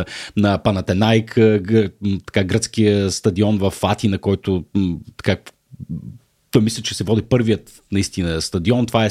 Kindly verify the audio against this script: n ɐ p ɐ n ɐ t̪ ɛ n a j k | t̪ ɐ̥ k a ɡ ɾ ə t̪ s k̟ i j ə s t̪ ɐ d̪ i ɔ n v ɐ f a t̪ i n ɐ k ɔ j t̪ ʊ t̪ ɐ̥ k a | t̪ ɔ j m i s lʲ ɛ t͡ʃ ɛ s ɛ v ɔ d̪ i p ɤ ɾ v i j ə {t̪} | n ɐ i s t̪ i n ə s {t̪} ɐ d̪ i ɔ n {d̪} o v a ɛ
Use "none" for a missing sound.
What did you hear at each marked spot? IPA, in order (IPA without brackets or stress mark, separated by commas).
t̪, t̪, t̪